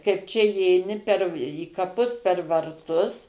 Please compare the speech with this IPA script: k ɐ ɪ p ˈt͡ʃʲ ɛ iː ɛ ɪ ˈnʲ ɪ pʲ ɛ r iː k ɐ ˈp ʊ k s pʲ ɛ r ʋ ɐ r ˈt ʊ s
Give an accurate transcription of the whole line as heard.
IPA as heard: k ɐ ɪ p ˈt͡ʃʲ ɛ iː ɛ ɪ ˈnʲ ɪ pʲ ɛ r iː k ɐ ˈp ʊ s pʲ ɛ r ʋ ɐ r ˈt ʊ s